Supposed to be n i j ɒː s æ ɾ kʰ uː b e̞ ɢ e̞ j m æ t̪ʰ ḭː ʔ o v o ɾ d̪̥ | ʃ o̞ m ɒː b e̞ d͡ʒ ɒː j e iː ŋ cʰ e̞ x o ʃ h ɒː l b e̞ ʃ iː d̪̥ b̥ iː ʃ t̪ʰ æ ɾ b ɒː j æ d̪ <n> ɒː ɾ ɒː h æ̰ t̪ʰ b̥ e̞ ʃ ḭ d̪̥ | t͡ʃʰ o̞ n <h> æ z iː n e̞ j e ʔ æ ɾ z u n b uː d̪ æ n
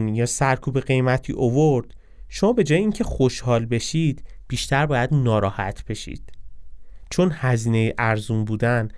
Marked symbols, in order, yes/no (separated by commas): yes, yes